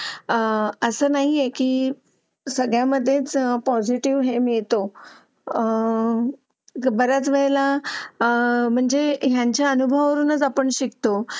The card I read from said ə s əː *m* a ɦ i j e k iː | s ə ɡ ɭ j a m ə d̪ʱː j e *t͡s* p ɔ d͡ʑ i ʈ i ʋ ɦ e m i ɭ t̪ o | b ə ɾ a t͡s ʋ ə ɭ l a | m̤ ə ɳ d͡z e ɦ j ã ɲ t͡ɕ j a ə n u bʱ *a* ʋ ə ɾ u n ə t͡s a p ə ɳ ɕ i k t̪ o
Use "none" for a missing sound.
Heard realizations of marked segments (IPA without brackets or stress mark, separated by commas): n, t͡s, ə